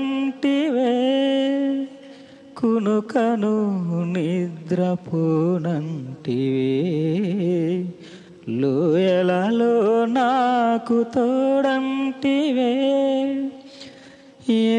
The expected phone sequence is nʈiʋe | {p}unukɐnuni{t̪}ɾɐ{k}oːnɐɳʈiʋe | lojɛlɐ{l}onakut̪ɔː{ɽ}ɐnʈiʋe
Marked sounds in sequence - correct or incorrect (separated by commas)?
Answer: incorrect, incorrect, incorrect, correct, correct